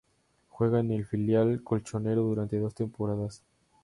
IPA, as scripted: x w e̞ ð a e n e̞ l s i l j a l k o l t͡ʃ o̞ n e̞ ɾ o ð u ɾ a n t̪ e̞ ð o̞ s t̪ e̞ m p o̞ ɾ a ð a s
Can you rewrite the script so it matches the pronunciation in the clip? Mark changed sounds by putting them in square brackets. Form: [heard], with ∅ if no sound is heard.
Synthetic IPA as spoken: x w e̞ [ɣ] a e n e̞ l [f] i l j a l k o l t͡ʃ o̞ n e̞ ɾ o ð u ɾ a n t̪ e̞ ð o̞ s t̪ e̞ m p o̞ ɾ a ð a s